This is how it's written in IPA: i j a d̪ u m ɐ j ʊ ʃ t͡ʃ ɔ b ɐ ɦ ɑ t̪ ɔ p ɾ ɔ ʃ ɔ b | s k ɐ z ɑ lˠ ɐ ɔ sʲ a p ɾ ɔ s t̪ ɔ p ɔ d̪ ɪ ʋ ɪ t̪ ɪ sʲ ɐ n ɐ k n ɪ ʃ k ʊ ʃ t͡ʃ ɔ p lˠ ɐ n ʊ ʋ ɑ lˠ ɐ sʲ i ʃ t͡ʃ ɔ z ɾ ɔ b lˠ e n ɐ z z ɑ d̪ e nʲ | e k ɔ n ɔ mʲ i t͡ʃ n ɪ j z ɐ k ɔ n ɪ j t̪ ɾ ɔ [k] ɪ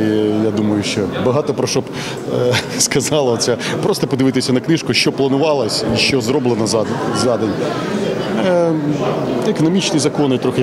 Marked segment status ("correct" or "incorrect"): incorrect